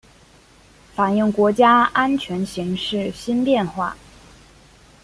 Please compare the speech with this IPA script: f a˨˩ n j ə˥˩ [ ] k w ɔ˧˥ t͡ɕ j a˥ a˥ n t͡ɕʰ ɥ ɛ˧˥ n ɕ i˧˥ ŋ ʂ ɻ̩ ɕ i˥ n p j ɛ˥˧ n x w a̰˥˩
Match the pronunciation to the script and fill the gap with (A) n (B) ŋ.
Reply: B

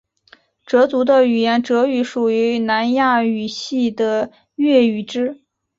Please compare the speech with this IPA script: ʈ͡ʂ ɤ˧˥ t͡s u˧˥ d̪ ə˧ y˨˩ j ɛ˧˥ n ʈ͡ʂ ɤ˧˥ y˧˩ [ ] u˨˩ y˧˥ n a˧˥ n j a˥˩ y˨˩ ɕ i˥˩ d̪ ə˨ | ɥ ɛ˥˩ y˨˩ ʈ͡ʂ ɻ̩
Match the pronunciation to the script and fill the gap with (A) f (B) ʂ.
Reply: B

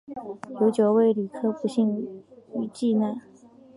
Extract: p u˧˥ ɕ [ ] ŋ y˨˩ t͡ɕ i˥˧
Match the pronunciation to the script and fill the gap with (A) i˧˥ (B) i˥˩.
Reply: B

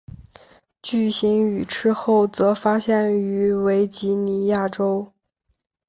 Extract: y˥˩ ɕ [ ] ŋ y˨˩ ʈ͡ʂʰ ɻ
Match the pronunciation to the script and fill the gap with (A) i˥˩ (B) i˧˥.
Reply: B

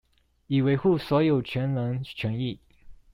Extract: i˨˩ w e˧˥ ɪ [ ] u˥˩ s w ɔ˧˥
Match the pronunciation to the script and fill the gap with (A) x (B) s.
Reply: A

